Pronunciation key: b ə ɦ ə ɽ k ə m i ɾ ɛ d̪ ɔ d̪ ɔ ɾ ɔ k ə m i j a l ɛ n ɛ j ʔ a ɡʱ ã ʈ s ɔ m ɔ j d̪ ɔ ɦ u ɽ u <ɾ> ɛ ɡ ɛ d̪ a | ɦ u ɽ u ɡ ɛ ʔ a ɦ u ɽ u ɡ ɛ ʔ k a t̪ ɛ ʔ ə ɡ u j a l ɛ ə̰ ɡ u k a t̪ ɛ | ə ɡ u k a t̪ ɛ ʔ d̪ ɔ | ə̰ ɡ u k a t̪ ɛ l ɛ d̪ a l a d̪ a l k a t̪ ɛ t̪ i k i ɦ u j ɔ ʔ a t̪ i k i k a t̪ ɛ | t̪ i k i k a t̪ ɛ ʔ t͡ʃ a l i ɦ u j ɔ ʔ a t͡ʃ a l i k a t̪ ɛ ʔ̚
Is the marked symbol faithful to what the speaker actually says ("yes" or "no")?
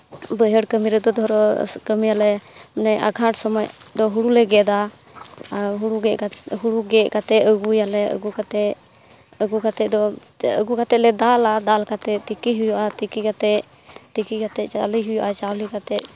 no